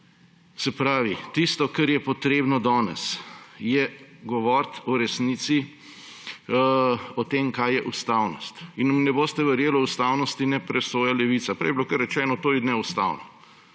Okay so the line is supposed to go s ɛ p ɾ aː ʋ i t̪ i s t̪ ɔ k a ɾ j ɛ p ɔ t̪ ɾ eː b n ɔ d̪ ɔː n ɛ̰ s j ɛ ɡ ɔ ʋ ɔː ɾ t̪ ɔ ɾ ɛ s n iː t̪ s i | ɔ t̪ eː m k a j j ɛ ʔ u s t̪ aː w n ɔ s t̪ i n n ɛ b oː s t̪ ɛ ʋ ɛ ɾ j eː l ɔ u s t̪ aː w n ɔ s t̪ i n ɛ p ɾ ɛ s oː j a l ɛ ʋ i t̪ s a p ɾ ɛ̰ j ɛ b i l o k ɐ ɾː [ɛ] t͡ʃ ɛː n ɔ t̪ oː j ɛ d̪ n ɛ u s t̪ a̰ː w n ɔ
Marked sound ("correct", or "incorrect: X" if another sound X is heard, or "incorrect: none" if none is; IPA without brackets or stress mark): correct